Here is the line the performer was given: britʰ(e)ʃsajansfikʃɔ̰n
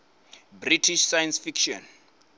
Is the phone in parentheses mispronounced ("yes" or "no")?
yes